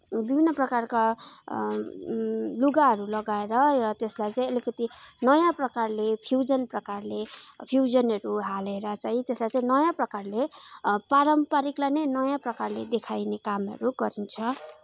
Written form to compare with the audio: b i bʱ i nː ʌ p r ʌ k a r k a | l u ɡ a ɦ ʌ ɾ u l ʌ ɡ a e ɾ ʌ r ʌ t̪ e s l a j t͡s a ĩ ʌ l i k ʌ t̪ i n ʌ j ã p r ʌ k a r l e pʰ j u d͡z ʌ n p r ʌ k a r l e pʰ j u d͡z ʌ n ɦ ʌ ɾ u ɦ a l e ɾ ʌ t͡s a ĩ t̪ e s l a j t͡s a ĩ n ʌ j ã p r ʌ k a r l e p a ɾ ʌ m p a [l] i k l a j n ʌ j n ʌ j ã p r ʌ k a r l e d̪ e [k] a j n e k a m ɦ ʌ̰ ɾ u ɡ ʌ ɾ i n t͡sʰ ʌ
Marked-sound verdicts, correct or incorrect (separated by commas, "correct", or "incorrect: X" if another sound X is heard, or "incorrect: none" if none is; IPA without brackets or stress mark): incorrect: ɾ, incorrect: kʰ